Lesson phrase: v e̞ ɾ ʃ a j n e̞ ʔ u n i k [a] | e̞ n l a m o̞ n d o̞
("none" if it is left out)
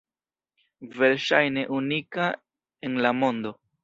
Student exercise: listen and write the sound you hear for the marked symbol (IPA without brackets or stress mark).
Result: a